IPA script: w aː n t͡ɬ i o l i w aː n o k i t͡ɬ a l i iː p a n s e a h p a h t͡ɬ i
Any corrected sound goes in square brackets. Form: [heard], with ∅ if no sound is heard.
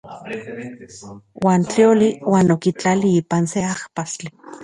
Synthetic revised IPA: w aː n t͡ɬ i o l i w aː n o k i t͡ɬ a l i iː p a n s e a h p a [s] t͡ɬ i